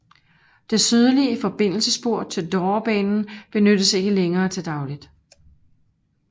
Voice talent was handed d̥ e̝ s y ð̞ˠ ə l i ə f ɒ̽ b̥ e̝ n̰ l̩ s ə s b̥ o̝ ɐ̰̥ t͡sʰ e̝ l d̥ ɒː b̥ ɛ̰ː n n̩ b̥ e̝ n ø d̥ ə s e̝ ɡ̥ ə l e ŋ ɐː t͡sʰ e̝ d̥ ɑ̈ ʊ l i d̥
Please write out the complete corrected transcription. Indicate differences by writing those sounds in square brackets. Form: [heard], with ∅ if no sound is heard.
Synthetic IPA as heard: d̥ e̝ s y ð̞ˠ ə l i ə f ɒ̽ b̥ e̝ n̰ l̩ s ə s b̥ o̝ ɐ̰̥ t͡sʰ e̝ l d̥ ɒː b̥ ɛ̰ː n n̩ b̥ e̝ n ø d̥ ə s e̝ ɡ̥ ə l e ŋ ɐː t͡sʰ e̝ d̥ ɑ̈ ʊ l i d̥